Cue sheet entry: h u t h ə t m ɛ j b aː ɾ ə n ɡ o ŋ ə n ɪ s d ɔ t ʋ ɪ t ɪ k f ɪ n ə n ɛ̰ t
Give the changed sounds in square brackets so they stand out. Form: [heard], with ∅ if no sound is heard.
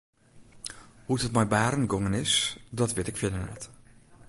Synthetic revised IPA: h u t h ə t m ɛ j b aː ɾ ə n ɡ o ŋ ə n ɪ s d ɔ t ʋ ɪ t ɪ k f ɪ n ə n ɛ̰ t